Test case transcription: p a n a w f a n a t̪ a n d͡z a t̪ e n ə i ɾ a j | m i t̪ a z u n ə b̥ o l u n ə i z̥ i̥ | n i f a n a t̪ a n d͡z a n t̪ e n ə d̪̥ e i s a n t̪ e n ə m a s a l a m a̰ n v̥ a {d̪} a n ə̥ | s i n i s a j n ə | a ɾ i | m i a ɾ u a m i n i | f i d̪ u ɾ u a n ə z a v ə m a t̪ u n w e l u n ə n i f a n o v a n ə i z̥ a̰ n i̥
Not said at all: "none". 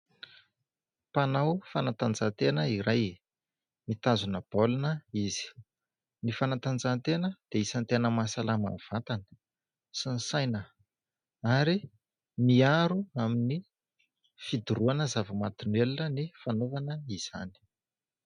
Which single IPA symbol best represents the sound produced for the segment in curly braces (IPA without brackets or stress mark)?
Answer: t̪